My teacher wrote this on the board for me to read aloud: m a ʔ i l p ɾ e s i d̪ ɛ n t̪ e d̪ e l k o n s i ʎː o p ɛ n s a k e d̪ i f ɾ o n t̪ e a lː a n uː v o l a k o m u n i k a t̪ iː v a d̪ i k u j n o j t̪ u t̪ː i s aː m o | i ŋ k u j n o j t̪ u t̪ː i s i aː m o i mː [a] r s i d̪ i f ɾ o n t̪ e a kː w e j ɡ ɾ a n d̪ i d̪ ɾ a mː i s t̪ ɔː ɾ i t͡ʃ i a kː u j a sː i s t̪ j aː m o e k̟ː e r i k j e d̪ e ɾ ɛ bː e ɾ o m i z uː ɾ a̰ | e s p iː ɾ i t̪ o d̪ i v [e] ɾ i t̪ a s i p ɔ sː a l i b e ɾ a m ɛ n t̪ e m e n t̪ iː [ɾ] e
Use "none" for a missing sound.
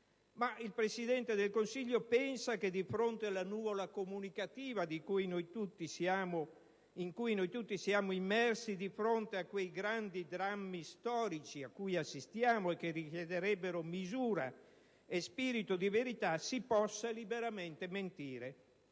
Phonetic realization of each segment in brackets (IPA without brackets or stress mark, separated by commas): ɛ, e, ɾ